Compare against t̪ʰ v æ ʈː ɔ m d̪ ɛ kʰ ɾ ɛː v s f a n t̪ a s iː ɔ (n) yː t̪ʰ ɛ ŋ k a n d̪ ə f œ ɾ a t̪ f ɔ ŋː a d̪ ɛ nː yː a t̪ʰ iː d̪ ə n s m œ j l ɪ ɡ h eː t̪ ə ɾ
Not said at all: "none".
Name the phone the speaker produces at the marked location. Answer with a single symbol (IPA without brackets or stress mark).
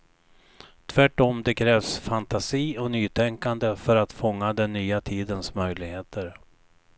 n